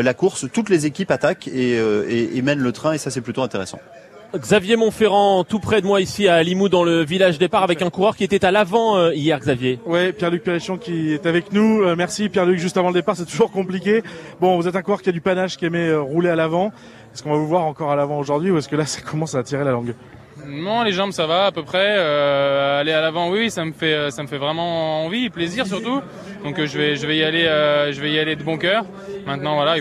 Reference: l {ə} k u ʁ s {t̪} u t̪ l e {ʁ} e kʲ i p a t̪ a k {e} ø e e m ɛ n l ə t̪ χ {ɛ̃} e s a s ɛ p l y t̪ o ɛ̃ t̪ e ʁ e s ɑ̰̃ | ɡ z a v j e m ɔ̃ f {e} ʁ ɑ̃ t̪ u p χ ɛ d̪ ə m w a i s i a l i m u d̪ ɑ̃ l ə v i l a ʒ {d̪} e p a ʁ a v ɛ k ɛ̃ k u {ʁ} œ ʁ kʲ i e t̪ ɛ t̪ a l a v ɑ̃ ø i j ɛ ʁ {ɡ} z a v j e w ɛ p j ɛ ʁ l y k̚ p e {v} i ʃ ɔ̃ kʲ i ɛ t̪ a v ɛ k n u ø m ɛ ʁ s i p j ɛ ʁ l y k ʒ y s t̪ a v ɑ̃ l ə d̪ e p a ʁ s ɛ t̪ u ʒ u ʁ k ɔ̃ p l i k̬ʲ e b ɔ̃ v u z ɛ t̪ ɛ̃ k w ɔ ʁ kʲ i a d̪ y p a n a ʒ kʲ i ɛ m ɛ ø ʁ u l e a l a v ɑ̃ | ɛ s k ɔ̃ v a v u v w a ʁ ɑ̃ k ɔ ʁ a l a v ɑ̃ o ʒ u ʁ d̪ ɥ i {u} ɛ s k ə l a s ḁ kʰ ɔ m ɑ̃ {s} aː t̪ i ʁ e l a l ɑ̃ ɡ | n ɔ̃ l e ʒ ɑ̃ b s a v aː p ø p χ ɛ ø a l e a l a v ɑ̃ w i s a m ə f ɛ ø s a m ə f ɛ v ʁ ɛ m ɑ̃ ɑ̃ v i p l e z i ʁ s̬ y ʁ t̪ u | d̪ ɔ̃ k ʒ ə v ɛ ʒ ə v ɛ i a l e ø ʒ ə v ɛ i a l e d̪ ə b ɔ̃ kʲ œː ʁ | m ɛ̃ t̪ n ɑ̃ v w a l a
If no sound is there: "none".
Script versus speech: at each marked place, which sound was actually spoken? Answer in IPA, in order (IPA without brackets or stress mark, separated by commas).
a, t̪, z, e, ɛ̃, e, d̪, ʁ, ɡ, ʁ, u, s